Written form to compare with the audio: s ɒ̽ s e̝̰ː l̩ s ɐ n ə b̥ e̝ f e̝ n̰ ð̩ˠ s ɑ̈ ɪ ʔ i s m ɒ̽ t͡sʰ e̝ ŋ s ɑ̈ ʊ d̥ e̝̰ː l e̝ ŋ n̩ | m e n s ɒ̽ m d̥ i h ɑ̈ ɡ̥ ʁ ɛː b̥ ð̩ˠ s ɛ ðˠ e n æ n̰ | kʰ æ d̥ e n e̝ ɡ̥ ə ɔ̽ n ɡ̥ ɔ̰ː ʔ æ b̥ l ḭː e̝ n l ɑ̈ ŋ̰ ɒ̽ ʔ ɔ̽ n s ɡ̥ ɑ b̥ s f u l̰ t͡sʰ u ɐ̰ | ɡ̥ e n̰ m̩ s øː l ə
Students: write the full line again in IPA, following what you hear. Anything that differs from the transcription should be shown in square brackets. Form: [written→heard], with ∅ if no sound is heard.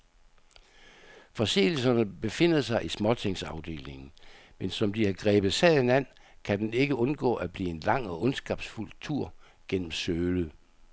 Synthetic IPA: [s→f] ɒ̽ s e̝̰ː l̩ s ɐ n ə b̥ e̝ f e̝ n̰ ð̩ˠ s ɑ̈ ɪ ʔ i s m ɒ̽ t͡sʰ e̝ ŋ s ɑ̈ ʊ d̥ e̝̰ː l e̝ ŋ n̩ | m e n s ɒ̽ m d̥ i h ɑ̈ ɡ̥ ʁ ɛː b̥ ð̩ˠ s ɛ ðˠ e n æ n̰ | kʰ æ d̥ e n e̝ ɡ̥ ə ɔ̽ n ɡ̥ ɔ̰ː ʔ æ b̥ l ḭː e̝ n l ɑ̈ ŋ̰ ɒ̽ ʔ ɔ̽ n s ɡ̥ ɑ b̥ s f u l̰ t͡sʰ u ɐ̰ | ɡ̥ e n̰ m̩ s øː l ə

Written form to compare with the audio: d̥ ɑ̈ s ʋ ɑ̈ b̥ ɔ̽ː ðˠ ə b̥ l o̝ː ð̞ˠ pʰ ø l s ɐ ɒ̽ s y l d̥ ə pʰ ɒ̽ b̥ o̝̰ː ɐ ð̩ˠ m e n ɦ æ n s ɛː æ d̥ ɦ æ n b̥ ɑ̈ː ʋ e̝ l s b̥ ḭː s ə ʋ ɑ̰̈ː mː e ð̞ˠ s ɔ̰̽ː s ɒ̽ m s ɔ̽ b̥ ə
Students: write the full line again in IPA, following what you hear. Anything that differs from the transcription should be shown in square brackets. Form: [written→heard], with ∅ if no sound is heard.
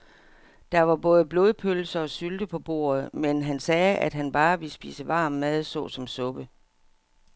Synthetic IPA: d̥ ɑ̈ [s→∅] ʋ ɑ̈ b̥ ɔ̽ː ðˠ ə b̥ l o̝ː ð̞ˠ pʰ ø l s ɐ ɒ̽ s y l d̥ ə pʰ ɒ̽ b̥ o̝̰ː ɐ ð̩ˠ m e n ɦ æ n s ɛː æ d̥ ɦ æ n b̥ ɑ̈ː ʋ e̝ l s b̥ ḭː s ə ʋ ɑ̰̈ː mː [e→æ] ð̞ˠ s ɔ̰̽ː s ɒ̽ m s ɔ̽ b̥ ə

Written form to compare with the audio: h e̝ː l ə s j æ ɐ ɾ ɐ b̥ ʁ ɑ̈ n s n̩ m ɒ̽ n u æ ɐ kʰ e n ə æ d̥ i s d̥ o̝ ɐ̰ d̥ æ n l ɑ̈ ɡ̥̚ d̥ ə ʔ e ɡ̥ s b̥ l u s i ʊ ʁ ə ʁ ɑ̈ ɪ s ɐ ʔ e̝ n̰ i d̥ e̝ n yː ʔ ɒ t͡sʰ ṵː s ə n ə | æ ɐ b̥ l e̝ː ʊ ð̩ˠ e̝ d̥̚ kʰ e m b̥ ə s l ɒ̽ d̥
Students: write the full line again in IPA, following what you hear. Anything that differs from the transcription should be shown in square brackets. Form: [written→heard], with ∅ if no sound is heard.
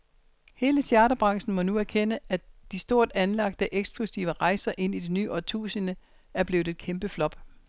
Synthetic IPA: h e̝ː l ə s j æ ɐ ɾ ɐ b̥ ʁ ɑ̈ [n→ŋ] s n̩ m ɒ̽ n u æ ɐ kʰ e n ə æ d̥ i s d̥ o̝ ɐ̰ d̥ æ n l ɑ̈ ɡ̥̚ d̥ ə ʔ e ɡ̥ s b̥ l u s i ʊ [ʁ→∅] ə ʁ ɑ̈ ɪ s ɐ ʔ e̝ n̰ i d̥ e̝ n yː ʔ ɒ t͡sʰ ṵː s ə n ə | æ ɐ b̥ l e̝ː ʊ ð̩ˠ e̝ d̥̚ kʰ e m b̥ ə [s→f] l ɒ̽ [d̥→b̥]

